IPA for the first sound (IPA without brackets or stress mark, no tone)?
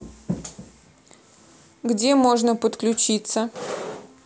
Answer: ɡ